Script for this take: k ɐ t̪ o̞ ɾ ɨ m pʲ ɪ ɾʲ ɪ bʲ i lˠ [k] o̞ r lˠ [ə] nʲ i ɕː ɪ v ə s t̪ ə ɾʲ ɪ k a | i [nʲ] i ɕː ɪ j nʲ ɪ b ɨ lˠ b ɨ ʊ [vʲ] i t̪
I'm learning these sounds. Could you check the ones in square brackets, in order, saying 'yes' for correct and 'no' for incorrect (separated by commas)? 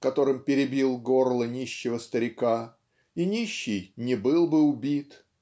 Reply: no, yes, yes, no